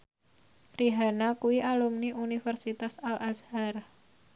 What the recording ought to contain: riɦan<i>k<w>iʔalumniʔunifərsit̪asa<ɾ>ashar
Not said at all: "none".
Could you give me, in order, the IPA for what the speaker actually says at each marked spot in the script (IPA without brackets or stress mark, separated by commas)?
a, u, l